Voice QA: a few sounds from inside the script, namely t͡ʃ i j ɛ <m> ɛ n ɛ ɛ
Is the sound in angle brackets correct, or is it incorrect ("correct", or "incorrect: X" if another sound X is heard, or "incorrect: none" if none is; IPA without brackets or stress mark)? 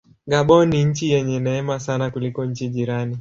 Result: incorrect: ɲ